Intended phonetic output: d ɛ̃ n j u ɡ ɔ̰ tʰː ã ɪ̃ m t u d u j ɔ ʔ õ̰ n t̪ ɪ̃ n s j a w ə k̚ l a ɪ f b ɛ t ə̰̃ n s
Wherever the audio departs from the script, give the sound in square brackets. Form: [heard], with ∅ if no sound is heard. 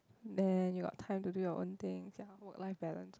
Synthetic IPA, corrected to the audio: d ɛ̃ n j u ɡ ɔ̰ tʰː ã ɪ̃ m t u d u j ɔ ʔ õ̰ n t̪ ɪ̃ [ŋ] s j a w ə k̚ l a ɪ f b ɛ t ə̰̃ n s

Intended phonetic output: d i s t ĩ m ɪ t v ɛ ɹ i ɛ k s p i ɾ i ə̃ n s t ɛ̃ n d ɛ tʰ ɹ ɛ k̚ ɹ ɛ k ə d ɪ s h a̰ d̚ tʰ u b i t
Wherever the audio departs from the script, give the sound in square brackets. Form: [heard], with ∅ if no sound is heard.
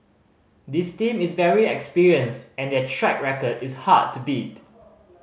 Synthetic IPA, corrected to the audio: d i s t ĩ m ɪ [s] v ɛ ɹ i ɛ k s p i [ɹ] i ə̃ n s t ɛ̃ n d ɛ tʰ ɹ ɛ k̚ ɹ ɛ k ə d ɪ s h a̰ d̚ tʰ u b i t

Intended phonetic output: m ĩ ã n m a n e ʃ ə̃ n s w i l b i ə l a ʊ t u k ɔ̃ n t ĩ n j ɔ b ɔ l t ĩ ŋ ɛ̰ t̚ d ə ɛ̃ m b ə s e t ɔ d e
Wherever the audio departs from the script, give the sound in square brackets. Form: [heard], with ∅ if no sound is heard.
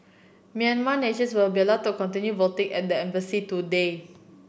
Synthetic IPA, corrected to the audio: m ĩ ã n m a n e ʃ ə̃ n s w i l b i ə l a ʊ t u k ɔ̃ n t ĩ n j [u] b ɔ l t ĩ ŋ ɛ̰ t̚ d ə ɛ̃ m b ə s [i] t [u] d e

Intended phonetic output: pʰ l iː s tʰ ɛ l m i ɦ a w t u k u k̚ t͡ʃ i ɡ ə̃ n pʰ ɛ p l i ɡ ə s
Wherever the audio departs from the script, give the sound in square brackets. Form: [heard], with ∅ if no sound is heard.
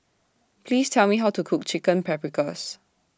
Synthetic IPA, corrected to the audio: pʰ l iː s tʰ ɛ l m i ɦ a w t u [kʰ] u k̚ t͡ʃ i [k] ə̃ n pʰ ɛ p [ɹ] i [k] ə s

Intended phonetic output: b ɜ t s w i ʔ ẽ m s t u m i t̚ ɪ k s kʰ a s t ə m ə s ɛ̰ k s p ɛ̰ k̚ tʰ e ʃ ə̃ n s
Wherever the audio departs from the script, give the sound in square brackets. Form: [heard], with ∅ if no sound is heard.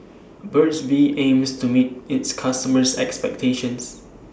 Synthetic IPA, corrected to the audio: b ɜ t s [b] i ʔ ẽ m s t u m i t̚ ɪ [t] s kʰ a s t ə m ə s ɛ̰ k s p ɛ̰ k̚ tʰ e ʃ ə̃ n s

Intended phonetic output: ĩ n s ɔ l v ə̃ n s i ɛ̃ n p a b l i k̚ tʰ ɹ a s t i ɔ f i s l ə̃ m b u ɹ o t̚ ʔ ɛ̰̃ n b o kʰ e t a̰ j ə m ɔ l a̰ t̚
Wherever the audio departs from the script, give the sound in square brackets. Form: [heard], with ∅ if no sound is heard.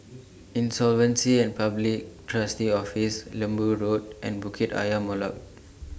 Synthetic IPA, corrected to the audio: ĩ n s ɔ l v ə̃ n s i ɛ̃ n p a b l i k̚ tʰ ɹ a s t i ɔ f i s l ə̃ m b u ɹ o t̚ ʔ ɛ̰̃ n b [u] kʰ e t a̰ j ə m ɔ l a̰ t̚

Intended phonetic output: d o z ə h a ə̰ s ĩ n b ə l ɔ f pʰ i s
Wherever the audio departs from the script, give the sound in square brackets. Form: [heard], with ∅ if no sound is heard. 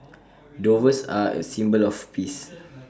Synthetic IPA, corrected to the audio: d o [v] ə [s] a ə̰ s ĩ [m] b ə l ɔ f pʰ i s

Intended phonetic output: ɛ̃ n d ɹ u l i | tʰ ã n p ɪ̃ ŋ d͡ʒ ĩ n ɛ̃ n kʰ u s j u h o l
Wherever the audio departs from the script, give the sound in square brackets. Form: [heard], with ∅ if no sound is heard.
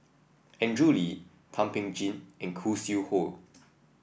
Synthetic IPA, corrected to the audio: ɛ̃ n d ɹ u l i | tʰ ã [m] p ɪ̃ ŋ d͡ʒ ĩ n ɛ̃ n kʰ u s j u h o l

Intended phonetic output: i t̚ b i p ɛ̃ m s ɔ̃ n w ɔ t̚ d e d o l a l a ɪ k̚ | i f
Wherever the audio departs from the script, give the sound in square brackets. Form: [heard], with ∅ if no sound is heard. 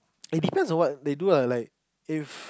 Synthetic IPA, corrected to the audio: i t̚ [d] i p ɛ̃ [n] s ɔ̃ n w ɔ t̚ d e d [u] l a l a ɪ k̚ | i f

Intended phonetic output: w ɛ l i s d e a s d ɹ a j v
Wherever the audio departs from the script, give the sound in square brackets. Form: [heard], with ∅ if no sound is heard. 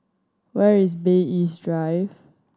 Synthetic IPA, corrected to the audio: w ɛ [ɹ] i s [b] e [i] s d ɹ a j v

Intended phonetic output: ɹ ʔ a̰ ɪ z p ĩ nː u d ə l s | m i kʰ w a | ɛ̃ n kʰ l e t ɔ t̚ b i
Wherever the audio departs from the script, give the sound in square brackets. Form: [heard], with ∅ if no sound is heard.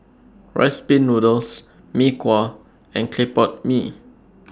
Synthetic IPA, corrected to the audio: ɹ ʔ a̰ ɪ [s] p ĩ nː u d ə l s | m i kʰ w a | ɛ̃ n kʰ l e [p] ɔ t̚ [m] i

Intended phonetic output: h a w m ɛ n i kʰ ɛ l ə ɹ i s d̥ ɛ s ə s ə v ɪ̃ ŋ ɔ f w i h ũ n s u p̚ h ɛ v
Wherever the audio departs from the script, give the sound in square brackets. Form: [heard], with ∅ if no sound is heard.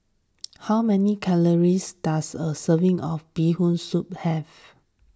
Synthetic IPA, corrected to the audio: h a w m ɛ n i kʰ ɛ l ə ɹ i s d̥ [a] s ə s ə v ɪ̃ ŋ ɔ f [b] i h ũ n s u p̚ h ɛ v

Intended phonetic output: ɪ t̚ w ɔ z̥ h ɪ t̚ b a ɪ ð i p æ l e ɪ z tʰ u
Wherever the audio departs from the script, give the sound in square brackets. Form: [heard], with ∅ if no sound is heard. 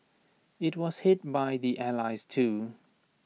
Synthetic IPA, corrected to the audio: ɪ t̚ w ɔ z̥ h ɪ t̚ b a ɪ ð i [ʔ] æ l [a] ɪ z tʰ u

